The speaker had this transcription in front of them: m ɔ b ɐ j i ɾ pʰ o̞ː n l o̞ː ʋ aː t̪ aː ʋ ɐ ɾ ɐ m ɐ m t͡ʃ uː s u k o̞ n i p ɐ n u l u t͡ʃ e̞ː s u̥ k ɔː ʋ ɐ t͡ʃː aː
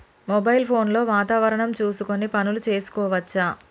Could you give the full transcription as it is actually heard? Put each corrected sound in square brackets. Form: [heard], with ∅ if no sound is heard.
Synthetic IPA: m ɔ b ɐ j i [l] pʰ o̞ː n l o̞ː ʋ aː t̪ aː ʋ ɐ ɾ ɐ [ɳ] ɐ m t͡ʃ uː s u k o̞ n i p ɐ n u l u t͡ʃ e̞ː s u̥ k ɔː ʋ ɐ t͡ʃː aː